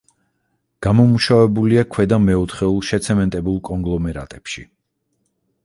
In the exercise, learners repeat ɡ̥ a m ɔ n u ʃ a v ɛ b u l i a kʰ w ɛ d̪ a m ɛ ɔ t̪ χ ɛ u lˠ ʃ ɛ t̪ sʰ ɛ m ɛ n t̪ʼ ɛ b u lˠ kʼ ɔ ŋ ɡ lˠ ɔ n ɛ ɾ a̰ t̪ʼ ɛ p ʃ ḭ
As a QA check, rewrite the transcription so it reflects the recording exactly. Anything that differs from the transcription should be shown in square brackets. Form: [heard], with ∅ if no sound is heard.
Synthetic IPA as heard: ɡ̥ a m ɔ [m] u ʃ a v ɛ b u l i a kʰ w ɛ d̪ a m ɛ ɔ t̪ χ ɛ u lˠ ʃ ɛ t̪ sʰ ɛ m ɛ n t̪ʼ ɛ b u lˠ kʼ ɔ ŋ ɡ lˠ ɔ [m] ɛ ɾ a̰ t̪ʼ ɛ p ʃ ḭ